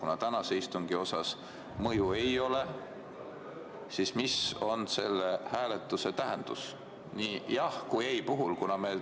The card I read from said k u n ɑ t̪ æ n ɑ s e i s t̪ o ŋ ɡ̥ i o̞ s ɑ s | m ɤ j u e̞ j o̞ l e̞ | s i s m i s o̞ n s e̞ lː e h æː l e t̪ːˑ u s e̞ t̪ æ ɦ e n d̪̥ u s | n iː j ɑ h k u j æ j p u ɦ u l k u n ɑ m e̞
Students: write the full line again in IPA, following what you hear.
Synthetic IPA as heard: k u n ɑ t̪ æ n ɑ s e i s t̪ u ŋ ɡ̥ i o̞ s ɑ s | m ɤ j u e̞ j o̞ l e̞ | s i s m i s o̞ n s e̞ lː e h æː l e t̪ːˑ u s e̞ t̪ æ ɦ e n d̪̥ u s | n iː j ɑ h k u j e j p u ɦ u l k u n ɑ m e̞